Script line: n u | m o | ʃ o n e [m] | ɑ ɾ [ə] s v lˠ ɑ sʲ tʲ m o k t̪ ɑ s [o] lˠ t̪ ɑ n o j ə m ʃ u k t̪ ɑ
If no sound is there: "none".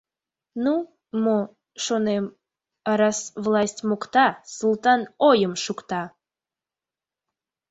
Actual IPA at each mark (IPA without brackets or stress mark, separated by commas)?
m, ɑ, u